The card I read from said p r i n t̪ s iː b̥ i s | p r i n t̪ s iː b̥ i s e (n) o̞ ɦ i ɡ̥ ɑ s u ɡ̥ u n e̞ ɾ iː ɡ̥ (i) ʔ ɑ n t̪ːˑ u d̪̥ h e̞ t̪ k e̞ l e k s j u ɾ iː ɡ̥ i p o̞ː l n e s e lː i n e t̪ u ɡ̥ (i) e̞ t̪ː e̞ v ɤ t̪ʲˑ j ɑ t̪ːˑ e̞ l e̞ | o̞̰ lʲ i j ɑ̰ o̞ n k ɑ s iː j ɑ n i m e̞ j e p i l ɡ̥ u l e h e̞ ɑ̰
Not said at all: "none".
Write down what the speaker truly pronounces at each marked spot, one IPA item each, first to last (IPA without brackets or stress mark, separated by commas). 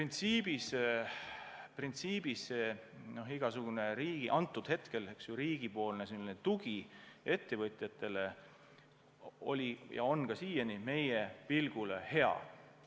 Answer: n, i, i